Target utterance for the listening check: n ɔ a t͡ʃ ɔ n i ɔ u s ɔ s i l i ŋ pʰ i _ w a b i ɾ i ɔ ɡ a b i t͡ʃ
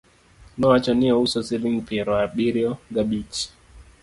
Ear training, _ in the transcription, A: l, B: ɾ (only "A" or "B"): B